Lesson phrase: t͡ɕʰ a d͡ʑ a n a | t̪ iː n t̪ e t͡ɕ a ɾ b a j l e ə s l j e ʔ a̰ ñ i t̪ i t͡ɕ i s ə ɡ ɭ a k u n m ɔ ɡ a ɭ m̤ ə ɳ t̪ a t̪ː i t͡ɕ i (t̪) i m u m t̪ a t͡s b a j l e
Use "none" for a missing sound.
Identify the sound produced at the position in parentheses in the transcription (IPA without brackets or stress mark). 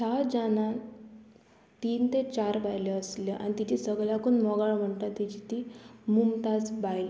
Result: t̪